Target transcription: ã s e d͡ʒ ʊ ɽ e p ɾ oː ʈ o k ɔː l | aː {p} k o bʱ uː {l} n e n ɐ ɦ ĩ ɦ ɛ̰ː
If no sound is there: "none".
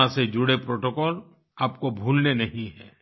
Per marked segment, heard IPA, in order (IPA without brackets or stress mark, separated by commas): p, l